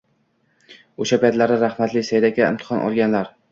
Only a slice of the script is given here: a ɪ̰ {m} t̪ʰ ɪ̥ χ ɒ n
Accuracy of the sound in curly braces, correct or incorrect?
correct